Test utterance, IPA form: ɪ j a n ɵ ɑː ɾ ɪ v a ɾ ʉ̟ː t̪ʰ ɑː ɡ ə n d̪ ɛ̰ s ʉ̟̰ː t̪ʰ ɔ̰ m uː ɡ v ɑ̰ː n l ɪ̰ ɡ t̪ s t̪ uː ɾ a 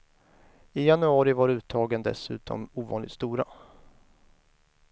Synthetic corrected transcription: ɪ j a n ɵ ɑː ɾ ɪ v a ɾ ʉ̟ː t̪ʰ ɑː ɡ ə n d̪ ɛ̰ s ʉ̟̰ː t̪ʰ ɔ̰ m uː v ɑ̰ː n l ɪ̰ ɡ t̪ s t̪ uː ɾ a